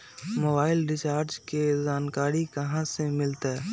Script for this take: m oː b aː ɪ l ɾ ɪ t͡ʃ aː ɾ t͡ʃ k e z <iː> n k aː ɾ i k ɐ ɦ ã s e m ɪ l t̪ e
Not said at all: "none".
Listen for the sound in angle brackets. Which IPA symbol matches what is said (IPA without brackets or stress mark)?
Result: aː